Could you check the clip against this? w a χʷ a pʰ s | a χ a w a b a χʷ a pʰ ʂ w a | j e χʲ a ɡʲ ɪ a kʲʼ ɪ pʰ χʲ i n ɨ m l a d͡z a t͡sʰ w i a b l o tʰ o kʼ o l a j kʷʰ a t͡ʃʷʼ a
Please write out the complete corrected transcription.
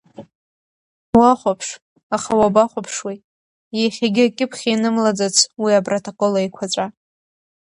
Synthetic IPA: w a χʷ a pʰ ʂ | a χ a w a b a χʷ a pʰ ʂ w i | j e χʲ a ɡʲ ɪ a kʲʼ ɪ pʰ χʲ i n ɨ m l a d͡z a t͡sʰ w i a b r o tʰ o kʼ o l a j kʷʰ a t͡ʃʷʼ a